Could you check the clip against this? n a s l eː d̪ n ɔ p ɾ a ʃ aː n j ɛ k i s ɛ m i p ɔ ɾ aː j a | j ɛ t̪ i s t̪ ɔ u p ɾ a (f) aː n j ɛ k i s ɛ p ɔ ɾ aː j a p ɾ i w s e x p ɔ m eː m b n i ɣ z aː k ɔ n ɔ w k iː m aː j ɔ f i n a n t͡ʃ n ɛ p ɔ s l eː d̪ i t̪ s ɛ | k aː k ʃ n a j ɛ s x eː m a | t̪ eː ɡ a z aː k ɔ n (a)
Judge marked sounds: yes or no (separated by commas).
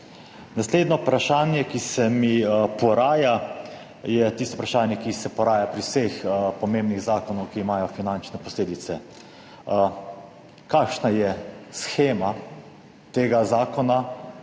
no, yes